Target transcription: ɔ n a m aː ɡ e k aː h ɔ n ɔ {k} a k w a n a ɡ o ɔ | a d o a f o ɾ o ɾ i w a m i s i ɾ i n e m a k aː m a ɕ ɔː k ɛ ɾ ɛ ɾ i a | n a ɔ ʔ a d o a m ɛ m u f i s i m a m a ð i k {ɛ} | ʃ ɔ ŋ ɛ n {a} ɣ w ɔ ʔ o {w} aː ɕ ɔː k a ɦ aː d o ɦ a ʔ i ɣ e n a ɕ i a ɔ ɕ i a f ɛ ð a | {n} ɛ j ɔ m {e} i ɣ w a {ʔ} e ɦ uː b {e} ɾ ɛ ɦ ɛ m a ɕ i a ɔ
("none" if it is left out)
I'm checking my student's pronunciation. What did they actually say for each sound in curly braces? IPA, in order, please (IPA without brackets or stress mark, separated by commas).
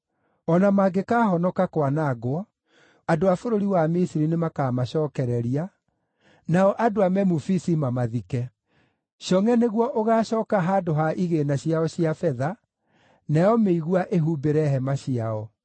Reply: k, ɛ, e, ɣ, n, e, ʔ, e